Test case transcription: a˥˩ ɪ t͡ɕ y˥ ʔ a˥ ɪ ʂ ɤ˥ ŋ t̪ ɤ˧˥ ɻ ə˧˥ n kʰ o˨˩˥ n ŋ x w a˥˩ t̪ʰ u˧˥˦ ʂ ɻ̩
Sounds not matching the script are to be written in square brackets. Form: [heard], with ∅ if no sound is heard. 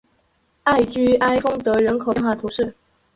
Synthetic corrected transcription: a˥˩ ɪ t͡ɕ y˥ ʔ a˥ ɪ [f] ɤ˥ ŋ t̪ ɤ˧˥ ɻ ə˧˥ n kʰ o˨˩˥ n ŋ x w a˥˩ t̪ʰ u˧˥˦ ʂ ɻ̩